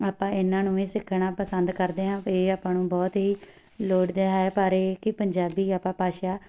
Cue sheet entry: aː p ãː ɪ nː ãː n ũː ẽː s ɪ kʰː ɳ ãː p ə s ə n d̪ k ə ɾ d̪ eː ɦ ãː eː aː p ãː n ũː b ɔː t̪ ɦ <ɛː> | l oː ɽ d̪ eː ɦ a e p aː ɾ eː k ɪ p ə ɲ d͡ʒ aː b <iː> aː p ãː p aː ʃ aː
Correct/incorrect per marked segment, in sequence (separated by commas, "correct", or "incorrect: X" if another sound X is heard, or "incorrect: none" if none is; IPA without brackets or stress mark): incorrect: iː, correct